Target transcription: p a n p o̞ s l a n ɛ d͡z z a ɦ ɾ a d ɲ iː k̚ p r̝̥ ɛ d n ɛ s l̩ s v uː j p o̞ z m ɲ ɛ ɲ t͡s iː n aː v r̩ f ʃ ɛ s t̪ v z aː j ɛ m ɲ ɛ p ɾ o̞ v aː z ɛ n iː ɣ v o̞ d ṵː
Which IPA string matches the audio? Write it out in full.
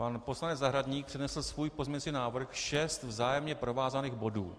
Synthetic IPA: p a n p o̞ s l a n ɛ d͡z z a ɦ ɾ a d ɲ iː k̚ p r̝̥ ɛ d n ɛ s l̩ s v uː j p o̞ z m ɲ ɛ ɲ t͡s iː n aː v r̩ x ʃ ɛ s t̪ v z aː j ɛ m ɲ ɛ p ɾ o̞ v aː z a n iː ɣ b o̞ d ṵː